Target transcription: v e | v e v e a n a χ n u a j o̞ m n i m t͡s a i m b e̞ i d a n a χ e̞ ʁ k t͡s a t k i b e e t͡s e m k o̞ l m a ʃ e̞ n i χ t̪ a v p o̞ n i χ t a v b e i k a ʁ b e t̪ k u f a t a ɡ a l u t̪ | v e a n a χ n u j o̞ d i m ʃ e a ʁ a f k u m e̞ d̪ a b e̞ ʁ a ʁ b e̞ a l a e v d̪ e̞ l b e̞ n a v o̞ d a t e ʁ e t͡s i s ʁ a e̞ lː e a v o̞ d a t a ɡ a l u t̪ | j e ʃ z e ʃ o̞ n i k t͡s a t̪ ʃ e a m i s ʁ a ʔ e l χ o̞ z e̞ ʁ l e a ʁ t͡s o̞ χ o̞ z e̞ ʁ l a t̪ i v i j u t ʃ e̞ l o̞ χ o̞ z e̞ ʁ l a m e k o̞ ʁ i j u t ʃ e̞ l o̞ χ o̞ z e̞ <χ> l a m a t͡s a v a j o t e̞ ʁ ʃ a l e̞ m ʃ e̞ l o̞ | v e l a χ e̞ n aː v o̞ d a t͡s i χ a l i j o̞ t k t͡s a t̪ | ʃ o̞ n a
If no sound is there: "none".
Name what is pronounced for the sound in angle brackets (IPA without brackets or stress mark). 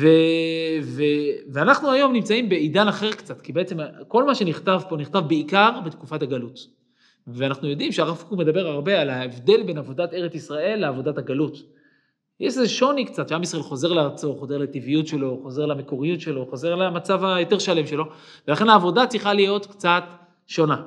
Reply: ʁ